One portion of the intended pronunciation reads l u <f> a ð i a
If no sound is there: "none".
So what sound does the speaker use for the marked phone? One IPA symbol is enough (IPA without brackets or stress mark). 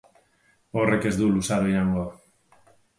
s